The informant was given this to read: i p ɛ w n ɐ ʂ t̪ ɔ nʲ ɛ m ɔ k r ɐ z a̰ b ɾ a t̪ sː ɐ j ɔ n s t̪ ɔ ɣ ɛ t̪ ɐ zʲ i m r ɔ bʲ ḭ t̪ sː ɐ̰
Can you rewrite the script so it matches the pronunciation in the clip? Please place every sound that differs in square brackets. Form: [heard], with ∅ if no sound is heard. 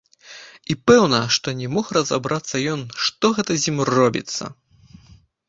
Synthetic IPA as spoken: i p ɛ w n ɐ ʂ t̪ ɔ nʲ ɛ m ɔ [x] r ɐ z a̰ b ɾ a t̪ sː ɐ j ɔ n [ʂ] t̪ ɔ ɣ ɛ t̪ ɐ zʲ i m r ɔ bʲ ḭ t̪ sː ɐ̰